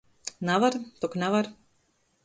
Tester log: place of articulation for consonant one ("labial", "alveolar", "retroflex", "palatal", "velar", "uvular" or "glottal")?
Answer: alveolar